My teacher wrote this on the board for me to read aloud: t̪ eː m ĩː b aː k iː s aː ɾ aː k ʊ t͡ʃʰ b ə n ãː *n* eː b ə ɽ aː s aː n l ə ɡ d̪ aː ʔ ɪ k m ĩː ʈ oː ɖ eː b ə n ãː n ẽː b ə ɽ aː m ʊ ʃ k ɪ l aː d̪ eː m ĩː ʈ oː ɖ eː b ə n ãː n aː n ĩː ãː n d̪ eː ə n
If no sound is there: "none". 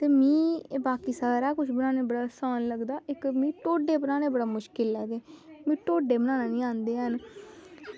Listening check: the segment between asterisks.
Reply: n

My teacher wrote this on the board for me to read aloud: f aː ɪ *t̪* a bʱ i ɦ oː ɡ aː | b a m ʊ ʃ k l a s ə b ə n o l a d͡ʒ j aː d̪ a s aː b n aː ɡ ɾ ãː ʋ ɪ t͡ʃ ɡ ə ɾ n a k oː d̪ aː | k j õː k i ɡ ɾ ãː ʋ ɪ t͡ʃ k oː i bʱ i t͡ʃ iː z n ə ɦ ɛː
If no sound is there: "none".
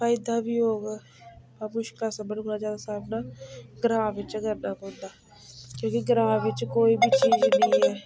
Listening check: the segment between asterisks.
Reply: d̪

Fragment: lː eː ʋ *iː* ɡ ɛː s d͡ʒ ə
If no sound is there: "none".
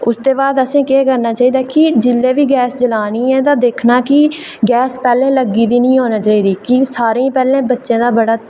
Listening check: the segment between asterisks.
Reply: iː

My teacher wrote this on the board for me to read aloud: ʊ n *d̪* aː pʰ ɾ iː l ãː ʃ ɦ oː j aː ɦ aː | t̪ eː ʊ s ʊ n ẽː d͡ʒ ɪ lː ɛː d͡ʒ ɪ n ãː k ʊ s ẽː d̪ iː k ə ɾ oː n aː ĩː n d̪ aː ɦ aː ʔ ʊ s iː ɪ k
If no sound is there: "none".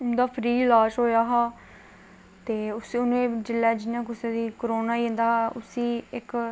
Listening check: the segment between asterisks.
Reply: d̪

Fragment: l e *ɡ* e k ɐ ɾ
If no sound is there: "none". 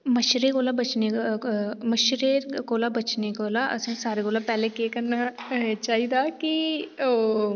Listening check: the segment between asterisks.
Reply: k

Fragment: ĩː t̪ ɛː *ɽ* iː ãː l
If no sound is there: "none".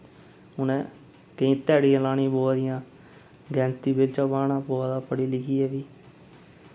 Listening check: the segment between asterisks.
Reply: ɽ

